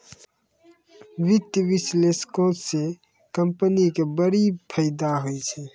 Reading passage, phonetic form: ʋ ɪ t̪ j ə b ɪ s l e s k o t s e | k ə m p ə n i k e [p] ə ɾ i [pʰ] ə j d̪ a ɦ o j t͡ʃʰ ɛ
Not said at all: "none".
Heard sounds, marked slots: b, pʰ

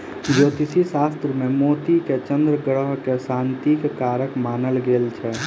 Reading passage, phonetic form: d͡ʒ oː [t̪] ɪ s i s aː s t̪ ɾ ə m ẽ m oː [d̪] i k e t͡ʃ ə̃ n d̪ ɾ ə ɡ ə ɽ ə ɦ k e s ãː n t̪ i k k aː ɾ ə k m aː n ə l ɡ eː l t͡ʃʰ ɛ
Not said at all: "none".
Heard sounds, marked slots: t̪, t̪

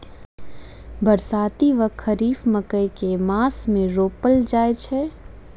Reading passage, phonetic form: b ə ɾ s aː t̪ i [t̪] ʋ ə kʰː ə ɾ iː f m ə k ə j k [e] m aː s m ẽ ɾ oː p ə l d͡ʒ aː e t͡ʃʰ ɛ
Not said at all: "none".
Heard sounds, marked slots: none, e

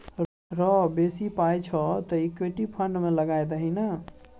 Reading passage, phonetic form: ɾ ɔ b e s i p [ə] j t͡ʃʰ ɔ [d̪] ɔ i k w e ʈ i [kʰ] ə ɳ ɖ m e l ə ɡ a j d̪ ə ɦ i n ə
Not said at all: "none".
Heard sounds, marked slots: a, t̪, pʰ

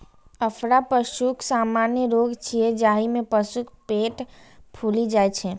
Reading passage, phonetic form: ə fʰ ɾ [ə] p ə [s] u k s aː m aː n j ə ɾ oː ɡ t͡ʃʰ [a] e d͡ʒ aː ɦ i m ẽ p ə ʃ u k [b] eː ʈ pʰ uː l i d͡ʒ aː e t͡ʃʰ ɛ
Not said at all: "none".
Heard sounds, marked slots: a, ʃ, i, p

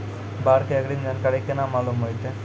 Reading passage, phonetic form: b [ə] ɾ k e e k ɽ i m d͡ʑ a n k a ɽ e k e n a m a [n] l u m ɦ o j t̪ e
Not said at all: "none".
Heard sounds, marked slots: a, none

